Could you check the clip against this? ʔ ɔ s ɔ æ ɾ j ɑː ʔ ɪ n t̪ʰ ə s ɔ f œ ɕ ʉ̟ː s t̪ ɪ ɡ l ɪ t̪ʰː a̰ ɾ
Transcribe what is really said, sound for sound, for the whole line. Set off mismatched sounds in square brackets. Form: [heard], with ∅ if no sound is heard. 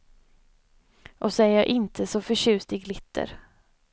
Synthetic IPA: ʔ ɔ s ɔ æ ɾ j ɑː ʔ ɪ n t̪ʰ ə s ɔ f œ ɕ ʉ̟ː s t̪ ɪ ɡ l ɪ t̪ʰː [ə̰] ɾ